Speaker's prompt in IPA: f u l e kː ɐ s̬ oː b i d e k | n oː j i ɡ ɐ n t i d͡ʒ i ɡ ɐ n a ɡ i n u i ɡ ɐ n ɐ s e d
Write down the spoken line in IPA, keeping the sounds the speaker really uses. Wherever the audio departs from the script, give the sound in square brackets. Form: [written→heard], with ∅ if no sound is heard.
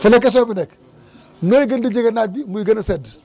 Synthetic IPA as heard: f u l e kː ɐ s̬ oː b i [d→n] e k | n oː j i ɡ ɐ n [t→d] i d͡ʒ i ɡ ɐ n a [ɡ→b] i [n→m] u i ɡ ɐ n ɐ s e d